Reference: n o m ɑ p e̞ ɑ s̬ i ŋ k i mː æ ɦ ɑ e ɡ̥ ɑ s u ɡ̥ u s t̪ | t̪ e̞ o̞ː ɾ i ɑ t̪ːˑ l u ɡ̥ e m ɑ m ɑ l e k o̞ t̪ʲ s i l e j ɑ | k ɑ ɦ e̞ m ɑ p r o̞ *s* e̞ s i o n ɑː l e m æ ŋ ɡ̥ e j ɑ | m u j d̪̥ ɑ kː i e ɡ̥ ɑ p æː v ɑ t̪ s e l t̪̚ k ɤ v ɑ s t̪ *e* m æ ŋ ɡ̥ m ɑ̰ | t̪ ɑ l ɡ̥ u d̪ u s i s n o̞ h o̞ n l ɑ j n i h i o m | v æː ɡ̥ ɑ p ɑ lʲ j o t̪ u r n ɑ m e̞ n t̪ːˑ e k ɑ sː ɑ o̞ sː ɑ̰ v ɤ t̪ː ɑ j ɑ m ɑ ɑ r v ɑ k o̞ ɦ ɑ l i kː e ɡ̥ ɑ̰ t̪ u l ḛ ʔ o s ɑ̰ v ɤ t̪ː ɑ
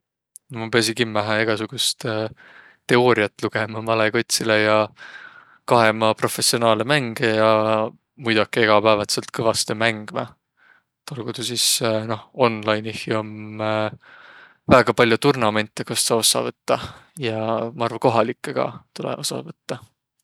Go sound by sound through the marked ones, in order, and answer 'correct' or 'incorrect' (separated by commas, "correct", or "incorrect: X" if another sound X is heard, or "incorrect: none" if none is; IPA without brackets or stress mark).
incorrect: f, correct